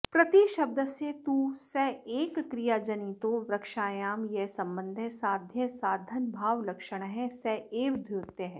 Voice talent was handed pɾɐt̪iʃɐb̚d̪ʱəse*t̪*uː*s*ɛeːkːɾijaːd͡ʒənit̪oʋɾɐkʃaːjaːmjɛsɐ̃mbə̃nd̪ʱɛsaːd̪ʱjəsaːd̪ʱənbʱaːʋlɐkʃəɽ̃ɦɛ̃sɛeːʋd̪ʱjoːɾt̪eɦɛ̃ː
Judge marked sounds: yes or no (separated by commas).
yes, yes